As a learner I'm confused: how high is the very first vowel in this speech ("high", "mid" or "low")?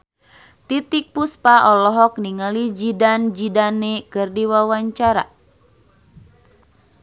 high